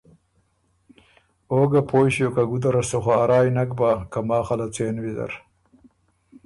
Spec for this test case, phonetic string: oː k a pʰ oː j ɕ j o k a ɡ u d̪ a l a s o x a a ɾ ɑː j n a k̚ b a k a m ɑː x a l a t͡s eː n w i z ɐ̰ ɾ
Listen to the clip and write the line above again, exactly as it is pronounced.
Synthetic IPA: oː ɡ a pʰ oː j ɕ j o k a ɡ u d̪ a ɾ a s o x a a ɾ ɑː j n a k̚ b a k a m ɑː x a l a t͡s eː n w i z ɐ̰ ɾ